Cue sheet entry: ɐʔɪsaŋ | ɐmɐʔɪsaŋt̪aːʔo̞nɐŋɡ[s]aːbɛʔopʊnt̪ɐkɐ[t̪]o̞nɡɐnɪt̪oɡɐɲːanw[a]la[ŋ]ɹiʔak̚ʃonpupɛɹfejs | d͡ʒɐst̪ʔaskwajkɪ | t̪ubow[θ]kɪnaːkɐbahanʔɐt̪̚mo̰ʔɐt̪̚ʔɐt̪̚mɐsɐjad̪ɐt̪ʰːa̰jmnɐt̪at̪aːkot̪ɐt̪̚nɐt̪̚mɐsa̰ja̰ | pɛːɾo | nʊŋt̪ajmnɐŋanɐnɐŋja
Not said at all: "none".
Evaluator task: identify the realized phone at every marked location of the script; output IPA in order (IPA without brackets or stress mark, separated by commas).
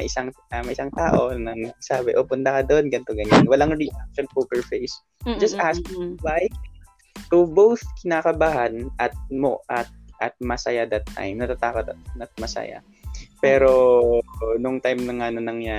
s, d̪, ɐ, ŋ, θ